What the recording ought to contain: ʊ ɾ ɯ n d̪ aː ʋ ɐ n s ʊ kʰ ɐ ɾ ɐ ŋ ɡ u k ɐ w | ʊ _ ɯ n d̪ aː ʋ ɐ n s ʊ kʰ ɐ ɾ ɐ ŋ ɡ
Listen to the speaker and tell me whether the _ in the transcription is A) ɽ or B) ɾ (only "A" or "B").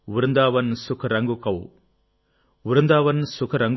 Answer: B